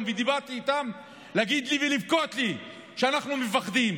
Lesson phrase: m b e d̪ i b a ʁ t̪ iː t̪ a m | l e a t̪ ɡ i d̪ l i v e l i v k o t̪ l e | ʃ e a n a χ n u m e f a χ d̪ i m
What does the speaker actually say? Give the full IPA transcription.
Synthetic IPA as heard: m v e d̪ i b a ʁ t̪ iː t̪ a m | l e a ɡ i d̪ l i v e l i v k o t̪ l i | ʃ e a n a χ n u m e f a χ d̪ i m